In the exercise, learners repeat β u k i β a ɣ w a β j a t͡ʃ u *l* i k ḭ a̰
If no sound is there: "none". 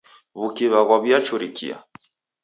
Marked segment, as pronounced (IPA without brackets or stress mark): ɾ